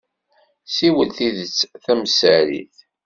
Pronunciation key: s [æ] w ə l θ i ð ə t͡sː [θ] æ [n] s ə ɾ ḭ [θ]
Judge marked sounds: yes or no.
no, yes, no, yes

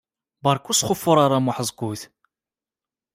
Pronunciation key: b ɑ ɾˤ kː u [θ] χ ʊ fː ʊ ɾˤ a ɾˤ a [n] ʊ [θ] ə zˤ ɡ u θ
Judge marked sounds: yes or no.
no, no, no

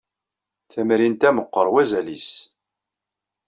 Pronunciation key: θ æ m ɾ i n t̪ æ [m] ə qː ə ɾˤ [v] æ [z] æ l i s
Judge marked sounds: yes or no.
yes, no, yes

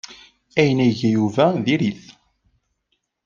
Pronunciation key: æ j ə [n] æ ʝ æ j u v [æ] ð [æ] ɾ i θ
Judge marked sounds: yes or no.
yes, yes, no

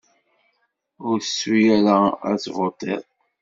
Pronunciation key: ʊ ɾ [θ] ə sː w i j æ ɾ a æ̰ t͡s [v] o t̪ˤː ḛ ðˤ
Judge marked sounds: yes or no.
yes, yes

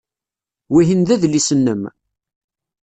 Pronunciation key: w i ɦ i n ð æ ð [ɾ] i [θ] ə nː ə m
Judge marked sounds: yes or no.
no, no

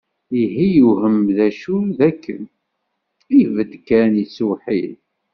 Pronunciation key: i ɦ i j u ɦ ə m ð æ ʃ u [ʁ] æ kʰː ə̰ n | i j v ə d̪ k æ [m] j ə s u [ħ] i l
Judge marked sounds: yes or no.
no, no, yes

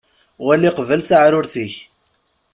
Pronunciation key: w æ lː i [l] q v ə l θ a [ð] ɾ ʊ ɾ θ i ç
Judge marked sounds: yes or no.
no, no

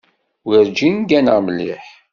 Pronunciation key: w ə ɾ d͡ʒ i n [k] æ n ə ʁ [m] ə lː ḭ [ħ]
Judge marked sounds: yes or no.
no, yes, yes

